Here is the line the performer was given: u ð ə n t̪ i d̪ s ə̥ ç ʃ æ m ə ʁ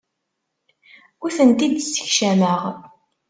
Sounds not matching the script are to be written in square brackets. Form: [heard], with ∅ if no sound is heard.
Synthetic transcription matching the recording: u [θ] ə n t̪ i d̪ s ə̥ ç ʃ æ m ə ʁ